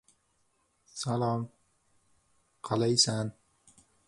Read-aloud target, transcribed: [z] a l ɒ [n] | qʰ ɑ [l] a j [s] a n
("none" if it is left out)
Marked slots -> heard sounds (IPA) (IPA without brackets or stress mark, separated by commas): s, m, l, s